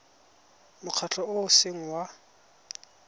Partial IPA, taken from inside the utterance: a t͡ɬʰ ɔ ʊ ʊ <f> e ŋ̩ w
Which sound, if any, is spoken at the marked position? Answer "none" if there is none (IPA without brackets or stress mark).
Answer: s